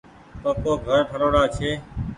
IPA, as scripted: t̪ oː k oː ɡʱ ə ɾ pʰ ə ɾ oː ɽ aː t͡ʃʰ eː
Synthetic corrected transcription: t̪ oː k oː ɡʱ ə ɾ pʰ ə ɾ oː ɽ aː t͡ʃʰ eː